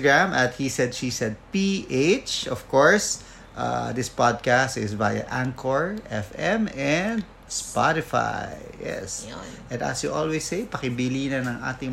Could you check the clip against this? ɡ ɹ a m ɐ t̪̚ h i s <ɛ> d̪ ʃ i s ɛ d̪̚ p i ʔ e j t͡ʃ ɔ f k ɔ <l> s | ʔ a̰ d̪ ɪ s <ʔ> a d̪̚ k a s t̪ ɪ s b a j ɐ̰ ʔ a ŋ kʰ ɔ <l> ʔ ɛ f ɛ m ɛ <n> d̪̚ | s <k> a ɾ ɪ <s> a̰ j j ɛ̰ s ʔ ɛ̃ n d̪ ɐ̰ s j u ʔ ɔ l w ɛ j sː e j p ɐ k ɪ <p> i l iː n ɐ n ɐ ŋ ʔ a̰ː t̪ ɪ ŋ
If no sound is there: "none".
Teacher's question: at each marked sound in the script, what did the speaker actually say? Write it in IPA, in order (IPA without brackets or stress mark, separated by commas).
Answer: ɛ, ɹ, p, ɹ, n, p, f, b